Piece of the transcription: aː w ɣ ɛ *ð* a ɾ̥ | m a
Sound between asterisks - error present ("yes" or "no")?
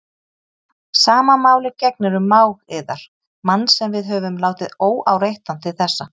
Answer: no